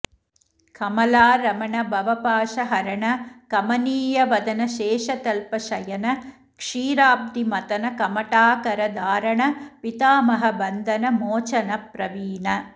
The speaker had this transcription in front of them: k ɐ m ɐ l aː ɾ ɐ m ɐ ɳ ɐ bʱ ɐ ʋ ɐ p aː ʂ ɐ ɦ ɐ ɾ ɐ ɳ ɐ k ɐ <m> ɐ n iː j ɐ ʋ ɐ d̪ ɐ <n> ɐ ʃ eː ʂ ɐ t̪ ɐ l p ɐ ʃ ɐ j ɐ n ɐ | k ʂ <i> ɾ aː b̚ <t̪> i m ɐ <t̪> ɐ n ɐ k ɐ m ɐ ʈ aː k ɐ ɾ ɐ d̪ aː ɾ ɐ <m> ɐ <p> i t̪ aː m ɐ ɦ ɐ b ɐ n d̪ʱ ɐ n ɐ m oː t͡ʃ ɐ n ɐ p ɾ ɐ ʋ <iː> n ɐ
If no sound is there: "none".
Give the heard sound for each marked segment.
m, n, iː, d̪, t̪, ɳ, p, iː

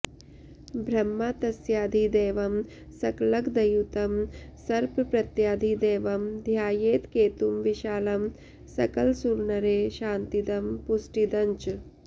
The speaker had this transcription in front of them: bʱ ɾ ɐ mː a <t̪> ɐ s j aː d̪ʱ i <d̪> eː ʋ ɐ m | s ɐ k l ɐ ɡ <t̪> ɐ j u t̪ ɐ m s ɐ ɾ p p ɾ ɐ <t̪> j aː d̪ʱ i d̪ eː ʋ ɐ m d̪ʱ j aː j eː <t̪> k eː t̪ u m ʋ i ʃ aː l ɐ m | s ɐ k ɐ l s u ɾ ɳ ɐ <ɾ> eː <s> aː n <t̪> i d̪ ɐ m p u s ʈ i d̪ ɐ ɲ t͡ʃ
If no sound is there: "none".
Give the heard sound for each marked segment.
t̪, d̪, d̪, t̪, t̪, ɾ, ʃ, t̪

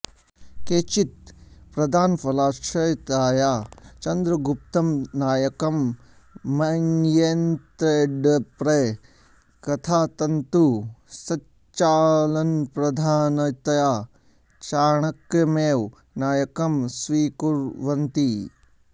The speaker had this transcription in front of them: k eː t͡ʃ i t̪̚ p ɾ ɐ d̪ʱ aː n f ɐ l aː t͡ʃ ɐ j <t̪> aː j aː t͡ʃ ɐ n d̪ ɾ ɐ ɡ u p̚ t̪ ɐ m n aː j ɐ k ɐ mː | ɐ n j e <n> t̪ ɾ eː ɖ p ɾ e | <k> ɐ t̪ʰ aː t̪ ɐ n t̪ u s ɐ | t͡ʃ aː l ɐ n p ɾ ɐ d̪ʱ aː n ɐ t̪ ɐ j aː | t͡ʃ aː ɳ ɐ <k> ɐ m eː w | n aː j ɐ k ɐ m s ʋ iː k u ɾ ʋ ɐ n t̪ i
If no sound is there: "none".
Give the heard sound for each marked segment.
t̪, n, k, k

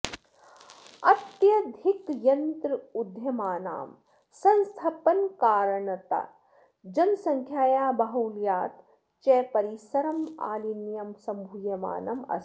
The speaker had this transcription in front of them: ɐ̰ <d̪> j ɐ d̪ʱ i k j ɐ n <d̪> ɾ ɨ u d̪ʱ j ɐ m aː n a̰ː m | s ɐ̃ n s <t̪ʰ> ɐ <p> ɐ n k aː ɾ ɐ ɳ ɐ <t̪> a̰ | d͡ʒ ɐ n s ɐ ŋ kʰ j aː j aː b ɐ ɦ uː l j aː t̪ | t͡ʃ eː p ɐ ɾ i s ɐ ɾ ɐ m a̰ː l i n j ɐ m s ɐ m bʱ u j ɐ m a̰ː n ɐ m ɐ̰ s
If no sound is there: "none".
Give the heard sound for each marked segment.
t̪, t̪, t̪ʰ, p, t̪

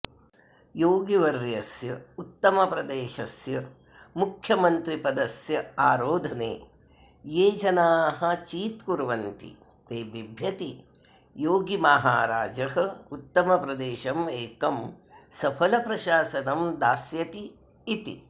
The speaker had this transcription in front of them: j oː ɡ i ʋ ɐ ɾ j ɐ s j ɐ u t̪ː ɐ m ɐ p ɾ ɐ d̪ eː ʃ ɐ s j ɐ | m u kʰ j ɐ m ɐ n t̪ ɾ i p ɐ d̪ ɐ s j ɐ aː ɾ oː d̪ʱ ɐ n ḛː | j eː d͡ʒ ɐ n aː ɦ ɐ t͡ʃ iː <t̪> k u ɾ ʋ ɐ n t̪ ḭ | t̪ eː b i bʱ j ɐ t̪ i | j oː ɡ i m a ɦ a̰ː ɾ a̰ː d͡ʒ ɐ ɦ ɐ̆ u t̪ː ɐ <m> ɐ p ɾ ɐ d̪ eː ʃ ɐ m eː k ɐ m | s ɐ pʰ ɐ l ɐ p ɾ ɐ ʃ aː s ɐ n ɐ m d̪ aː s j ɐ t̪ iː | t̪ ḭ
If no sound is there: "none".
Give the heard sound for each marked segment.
t̪, m

